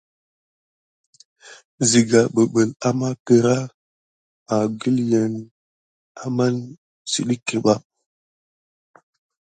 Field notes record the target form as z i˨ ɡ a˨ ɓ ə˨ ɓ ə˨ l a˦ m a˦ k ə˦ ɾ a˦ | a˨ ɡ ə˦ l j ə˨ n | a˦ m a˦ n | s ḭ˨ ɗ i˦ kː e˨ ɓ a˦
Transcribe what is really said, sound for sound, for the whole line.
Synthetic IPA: z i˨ ɡ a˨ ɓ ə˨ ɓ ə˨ l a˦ m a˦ k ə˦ ɾ a˦ | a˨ ɡ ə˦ l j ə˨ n | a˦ m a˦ n | s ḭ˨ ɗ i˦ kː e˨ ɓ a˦